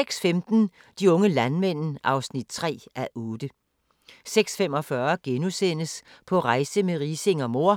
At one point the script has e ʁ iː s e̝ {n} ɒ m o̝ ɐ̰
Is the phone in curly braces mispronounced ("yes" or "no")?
yes